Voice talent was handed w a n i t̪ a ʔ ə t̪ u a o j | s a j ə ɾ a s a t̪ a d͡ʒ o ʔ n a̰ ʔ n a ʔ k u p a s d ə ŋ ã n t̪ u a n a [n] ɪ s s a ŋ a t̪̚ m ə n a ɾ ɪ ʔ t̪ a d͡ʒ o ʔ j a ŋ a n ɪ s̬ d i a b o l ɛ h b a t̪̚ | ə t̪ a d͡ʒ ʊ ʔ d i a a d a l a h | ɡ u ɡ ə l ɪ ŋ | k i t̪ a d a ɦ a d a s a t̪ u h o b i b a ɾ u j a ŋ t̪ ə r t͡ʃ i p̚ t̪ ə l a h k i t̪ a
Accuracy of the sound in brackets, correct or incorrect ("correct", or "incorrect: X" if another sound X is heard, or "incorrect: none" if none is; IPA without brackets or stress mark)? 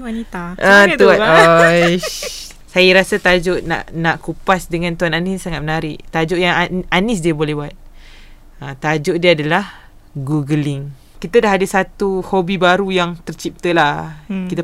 correct